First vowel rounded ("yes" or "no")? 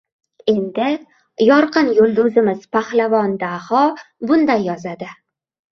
no